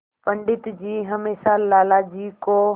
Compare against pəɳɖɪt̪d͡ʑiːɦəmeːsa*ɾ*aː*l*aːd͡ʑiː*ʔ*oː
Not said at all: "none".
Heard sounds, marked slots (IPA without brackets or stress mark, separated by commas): l, l, k